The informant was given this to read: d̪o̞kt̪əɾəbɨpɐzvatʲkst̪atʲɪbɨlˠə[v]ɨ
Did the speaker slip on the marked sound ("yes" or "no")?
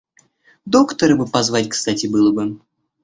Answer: yes